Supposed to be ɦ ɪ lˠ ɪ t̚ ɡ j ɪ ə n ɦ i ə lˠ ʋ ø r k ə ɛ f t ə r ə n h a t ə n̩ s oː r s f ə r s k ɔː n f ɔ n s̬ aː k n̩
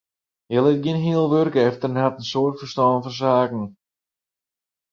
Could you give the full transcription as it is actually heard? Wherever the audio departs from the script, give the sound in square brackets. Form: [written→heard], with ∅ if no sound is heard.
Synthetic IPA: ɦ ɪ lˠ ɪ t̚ ɡ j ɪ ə n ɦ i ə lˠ ʋ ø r k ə ɛ f t ə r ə n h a t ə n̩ s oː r [s→t] f ə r s [k→t] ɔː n f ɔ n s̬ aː k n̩